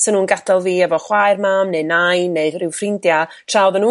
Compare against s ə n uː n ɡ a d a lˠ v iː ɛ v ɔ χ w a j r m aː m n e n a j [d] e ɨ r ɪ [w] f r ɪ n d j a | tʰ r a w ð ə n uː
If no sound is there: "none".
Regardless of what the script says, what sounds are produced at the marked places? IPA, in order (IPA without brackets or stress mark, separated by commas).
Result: n, w